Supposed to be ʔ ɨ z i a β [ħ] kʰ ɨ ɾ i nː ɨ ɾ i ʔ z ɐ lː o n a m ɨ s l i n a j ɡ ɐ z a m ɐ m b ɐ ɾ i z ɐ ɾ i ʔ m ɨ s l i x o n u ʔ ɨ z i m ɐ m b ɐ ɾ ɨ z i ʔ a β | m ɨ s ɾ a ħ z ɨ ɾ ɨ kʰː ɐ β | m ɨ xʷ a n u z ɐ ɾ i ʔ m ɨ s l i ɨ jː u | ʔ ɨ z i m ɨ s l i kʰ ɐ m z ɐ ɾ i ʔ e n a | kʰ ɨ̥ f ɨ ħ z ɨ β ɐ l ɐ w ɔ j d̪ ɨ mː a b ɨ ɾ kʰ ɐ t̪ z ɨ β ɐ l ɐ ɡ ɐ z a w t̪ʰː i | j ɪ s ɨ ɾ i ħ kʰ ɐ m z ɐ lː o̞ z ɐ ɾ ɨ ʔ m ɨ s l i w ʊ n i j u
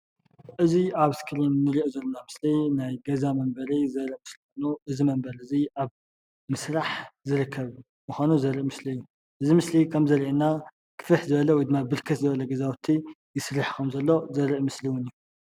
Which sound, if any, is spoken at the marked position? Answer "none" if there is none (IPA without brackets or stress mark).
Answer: s